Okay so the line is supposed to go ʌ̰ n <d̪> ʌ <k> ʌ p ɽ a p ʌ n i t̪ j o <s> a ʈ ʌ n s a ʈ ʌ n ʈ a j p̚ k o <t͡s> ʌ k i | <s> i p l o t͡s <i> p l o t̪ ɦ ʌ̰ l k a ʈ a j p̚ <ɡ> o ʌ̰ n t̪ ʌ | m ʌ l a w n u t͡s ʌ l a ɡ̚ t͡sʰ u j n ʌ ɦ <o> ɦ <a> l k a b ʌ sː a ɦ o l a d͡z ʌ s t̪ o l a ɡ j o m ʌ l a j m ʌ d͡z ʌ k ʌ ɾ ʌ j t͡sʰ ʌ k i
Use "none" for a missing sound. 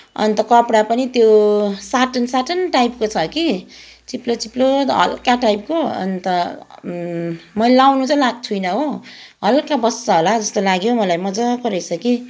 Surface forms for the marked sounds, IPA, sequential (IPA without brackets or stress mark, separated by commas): t̪, k, s, t͡sʰ, t͡s, i, k, o, ʌ